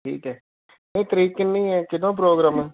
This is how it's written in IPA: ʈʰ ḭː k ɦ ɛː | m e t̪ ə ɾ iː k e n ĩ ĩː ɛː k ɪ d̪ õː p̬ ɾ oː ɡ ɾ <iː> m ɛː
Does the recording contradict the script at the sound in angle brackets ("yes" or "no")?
yes